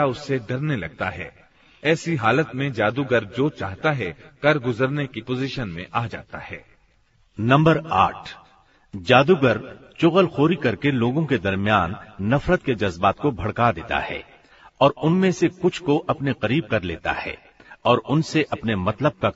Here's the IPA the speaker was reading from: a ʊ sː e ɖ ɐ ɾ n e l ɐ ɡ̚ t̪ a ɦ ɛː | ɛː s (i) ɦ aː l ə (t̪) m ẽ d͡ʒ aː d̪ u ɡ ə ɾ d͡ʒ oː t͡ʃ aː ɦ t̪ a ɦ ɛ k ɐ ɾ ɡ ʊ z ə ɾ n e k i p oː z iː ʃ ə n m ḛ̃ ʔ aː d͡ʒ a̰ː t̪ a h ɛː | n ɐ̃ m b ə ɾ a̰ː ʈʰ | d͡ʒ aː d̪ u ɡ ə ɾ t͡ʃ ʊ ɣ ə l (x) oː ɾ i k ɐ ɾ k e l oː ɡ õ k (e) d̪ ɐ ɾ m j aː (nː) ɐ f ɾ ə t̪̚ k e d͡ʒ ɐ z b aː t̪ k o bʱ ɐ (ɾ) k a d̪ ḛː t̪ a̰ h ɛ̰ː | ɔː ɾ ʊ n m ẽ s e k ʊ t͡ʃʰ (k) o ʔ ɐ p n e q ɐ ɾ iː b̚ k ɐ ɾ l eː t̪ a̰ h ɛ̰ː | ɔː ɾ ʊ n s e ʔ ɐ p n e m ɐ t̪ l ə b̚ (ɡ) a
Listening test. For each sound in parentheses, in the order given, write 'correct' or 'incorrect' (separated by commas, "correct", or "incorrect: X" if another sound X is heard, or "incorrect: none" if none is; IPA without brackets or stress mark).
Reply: correct, correct, correct, correct, correct, incorrect: ɽ, correct, incorrect: k